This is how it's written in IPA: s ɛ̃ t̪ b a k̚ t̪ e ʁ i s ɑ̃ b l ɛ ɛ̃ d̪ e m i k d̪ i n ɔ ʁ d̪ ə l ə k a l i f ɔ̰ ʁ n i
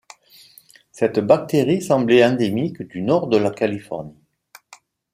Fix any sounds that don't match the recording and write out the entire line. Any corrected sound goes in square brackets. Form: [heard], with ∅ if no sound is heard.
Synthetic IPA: s [ɛ] t̪ b a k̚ t̪ e ʁ i s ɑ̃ b l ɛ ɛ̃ d̪ e m i k d̪ [y] n ɔ ʁ d̪ ə l [a] k a l i f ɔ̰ ʁ n i